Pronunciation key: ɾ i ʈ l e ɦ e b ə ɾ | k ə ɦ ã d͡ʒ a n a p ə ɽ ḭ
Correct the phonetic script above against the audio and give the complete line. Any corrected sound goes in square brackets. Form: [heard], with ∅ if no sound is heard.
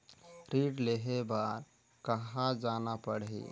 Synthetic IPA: ɾ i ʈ l e ɦ e b [a] ɾ | k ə ɦ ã d͡ʒ a n a p ə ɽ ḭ